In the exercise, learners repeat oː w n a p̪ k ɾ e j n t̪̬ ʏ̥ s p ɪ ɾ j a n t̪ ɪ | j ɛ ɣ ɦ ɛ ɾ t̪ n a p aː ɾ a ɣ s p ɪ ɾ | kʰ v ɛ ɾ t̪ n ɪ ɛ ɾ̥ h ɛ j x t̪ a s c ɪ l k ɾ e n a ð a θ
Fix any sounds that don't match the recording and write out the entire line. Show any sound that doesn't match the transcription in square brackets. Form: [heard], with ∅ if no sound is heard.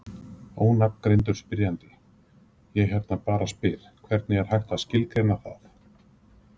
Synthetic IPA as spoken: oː w n a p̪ k ɾ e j n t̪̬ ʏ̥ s p ɪ ɾ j a n t̪ ɪ | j ɛ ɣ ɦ ɛ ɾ t̪ n a p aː ɾ a [∅] s p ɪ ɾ | kʰ v ɛ ɾ t̪ n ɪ ɛ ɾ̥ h [a] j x t̪ a s c ɪ l k ɾ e n a [θ] a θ